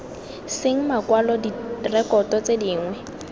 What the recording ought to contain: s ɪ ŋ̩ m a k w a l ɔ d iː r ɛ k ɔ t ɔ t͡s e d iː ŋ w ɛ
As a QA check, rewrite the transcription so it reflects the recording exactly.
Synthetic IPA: s ɪ ŋ̩ m a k w a l ɔ d i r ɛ k ɔ t ɔ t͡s e d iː ŋ w ɛ

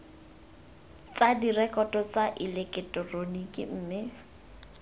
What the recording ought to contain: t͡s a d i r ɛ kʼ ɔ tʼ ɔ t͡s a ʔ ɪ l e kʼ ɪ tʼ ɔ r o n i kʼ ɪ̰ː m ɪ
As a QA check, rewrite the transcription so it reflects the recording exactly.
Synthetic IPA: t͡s a d i r ɛ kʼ ɔ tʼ ɔ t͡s a ʔ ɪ l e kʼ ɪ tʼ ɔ r o n i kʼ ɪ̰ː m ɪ

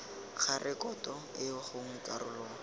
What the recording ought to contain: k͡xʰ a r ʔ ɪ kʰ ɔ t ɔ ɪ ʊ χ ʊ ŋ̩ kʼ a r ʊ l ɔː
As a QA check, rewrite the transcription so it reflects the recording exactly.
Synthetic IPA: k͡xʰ a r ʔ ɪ k ɔ t ɔ ɪ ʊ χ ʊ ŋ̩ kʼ a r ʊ l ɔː

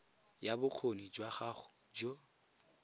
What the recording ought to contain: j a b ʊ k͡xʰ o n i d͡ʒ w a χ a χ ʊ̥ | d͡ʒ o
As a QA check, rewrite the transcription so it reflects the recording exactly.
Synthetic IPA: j a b ʊ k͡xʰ o n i d͡ʒ w a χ a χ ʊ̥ | d͡ʒ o

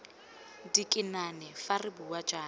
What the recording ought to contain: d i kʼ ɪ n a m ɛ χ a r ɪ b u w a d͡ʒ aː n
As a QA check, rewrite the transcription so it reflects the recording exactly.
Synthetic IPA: d i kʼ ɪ n a n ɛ f a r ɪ b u w a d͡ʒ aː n

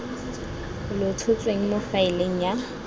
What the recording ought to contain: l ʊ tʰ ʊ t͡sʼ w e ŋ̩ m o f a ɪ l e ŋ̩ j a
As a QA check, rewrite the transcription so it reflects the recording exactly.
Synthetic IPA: l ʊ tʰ ʊ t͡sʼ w e ŋ̩ m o f a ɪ l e ŋ̩ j a

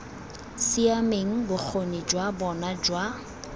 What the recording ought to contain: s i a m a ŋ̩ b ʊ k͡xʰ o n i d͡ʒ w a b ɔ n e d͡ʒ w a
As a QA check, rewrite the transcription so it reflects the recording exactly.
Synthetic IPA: s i a m e ŋ̩ b ʊ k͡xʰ o n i d͡ʒ w a b ɔ n a d͡ʒ w a

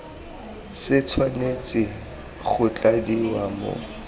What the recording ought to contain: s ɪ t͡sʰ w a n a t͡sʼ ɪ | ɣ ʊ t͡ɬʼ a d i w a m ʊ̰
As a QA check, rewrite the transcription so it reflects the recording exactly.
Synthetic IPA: s ɪ t͡sʰ w a n e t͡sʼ ɪ | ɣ ʊ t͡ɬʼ a d i w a m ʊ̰

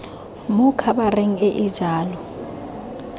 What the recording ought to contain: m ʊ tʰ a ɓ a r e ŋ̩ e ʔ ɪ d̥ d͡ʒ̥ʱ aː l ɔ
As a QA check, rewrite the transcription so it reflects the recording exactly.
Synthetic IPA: m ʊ kʰ a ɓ a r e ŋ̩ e ʔ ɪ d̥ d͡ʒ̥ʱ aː l ɔ

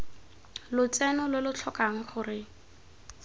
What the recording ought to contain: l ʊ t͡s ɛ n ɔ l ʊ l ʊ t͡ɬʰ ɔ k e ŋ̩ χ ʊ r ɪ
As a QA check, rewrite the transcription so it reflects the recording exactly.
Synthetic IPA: l ʊ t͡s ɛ n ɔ l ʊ l ʊ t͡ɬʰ ɔ k a ŋ̩ χ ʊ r ɪ

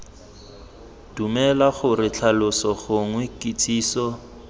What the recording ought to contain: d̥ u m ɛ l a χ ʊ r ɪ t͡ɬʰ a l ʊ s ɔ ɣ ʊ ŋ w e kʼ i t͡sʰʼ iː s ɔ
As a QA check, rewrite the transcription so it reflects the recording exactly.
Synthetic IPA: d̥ u m ɛ l a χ ʊ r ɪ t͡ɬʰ a l ʊ s ɔ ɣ ʊ ŋ w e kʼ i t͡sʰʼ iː s ɔ

